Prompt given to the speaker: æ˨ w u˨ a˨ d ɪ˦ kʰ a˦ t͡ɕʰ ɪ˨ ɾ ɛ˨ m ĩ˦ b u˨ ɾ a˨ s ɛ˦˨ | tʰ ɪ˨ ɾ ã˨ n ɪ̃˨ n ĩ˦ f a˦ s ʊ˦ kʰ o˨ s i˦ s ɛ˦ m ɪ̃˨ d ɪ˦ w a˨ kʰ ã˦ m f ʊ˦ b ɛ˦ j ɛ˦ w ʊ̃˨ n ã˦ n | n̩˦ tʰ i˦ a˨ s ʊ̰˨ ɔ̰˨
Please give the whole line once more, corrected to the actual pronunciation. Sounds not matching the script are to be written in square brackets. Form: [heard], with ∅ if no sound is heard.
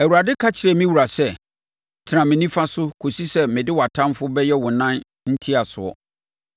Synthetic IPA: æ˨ w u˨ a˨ d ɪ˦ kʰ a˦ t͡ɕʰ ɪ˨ ɾ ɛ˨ m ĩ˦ [w] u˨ ɾ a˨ s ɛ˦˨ | tʰ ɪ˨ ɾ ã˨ [m] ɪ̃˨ n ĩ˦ f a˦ s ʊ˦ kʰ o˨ s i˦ s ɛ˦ m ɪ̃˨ d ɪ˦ w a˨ [tʰ] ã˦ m f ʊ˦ b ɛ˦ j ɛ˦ w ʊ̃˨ n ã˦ n | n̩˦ tʰ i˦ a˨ s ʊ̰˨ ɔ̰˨